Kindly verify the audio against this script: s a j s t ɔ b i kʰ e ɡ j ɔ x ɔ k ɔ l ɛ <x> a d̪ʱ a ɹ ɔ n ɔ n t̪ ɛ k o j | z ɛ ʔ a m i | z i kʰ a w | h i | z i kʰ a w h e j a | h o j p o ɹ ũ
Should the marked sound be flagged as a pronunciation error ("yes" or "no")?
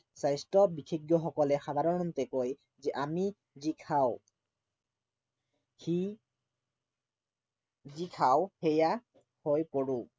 no